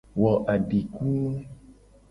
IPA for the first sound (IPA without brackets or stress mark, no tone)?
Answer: w